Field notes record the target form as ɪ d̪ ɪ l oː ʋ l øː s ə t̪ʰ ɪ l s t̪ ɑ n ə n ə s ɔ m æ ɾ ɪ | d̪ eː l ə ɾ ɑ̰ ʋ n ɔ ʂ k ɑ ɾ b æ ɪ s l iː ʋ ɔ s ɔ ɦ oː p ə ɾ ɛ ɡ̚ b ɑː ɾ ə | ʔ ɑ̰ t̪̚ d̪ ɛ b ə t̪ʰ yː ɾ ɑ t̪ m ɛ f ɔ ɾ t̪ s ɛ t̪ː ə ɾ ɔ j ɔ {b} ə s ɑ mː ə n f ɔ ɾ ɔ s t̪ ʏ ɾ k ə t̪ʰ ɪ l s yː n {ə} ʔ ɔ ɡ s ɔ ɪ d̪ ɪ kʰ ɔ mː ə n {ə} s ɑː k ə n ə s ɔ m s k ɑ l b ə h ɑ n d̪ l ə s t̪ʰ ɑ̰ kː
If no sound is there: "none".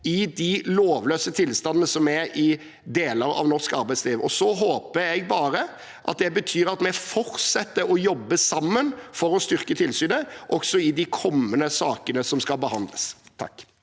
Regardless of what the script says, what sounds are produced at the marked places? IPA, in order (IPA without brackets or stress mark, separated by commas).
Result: bː, ə, ə